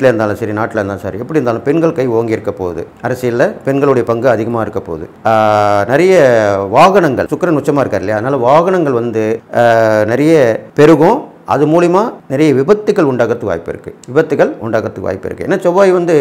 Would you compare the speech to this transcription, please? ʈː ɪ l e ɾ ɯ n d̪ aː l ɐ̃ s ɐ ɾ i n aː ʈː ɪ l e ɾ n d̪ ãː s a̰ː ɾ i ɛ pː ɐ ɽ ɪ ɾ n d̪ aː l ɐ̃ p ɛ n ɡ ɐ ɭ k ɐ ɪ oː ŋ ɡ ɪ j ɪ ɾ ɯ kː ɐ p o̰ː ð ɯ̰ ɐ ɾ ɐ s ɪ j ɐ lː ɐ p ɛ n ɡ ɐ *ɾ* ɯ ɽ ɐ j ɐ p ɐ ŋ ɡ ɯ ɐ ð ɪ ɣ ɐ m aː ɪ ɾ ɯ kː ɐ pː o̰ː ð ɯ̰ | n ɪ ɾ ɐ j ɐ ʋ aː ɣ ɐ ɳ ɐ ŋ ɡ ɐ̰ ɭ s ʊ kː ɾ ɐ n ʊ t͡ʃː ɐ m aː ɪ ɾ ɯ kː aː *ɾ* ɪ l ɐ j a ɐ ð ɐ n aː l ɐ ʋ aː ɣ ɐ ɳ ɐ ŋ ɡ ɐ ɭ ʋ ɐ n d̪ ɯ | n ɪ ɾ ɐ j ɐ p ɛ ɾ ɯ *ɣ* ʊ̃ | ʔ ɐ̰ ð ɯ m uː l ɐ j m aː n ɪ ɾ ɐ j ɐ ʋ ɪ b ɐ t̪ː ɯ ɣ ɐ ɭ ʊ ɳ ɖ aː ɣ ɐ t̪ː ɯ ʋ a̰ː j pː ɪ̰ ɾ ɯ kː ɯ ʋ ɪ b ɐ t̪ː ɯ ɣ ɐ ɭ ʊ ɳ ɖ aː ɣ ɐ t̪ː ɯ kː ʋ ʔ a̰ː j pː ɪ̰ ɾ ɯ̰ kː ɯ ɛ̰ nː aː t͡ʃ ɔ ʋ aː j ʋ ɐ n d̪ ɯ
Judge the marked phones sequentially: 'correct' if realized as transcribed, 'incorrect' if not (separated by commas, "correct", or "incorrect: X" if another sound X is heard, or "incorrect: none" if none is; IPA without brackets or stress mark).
incorrect: ɭ, correct, correct